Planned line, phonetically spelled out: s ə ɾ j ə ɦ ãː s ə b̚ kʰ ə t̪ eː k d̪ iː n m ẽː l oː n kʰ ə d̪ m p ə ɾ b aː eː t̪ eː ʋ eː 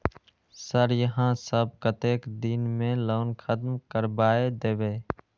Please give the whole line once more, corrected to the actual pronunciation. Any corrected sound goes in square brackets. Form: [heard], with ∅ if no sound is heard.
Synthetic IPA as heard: s ə ɾ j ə ɦ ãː s ə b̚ [k] ə t̪ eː k d̪ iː n m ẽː l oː n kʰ ə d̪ m [k] ə ɾ b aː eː [d̪] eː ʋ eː